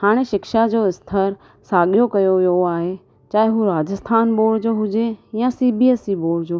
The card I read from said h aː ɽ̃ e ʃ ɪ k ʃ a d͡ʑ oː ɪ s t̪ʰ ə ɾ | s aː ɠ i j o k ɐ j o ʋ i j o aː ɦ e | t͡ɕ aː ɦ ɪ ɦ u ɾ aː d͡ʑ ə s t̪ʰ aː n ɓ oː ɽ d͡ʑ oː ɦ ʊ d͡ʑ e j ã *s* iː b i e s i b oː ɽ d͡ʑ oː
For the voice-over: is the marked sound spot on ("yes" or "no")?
yes